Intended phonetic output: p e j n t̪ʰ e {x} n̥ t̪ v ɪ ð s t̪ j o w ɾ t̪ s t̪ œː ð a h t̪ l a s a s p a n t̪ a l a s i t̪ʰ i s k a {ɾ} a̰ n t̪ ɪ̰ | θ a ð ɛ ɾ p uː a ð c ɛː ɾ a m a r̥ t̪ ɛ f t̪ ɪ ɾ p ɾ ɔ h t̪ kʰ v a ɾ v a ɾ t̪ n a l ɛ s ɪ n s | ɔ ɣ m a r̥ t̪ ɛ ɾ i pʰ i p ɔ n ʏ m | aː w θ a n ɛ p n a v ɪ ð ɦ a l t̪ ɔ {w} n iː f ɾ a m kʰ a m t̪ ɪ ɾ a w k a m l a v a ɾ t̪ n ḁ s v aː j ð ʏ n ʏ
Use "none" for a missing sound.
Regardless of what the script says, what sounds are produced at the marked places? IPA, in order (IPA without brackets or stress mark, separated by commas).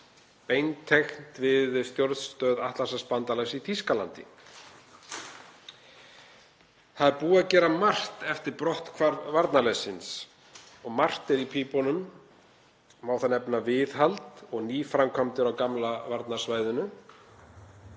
x, l, ɣ